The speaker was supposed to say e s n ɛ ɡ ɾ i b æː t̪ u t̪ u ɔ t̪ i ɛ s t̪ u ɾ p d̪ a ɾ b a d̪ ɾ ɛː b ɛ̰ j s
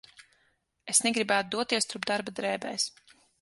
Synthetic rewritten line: e s n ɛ ɡ ɾ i b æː t̪ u d̪ u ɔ t̪ i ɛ s t̪ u ɾ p d̪ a ɾ b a d̪ ɾ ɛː b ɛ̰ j s